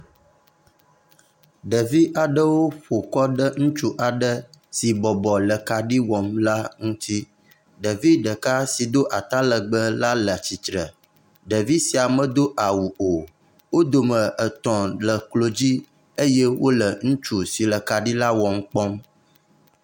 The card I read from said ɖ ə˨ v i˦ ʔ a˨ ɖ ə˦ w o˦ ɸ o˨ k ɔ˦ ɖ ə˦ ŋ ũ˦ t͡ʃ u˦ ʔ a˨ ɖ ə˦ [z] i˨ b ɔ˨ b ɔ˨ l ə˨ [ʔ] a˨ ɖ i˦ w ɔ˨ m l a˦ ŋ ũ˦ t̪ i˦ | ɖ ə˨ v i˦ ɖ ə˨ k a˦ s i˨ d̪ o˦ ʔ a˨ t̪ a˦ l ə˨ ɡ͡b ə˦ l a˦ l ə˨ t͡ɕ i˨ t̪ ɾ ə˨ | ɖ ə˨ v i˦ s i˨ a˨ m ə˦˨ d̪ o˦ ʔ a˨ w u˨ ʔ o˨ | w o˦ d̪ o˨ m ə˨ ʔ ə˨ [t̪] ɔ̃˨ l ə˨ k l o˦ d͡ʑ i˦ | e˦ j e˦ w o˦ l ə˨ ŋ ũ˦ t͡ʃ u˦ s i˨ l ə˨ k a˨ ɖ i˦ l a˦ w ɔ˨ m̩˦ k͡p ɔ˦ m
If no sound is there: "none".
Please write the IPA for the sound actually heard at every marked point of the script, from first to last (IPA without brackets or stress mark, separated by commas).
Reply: s, k, t̪